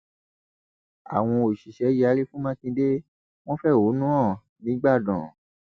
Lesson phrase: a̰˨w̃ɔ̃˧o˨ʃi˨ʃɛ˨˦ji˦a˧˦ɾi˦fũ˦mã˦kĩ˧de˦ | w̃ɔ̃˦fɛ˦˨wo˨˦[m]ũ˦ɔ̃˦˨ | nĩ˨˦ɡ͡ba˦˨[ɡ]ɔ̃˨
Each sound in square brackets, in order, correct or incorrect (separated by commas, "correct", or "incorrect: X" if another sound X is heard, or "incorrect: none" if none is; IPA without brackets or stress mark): incorrect: n, incorrect: d